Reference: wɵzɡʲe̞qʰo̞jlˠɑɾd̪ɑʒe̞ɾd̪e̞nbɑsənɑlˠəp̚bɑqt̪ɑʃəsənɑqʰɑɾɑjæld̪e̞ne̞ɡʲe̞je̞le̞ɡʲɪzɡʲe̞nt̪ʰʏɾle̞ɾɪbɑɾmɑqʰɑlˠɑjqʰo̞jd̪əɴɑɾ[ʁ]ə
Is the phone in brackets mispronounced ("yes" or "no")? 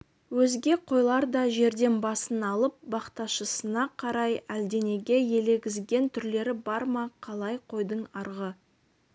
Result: no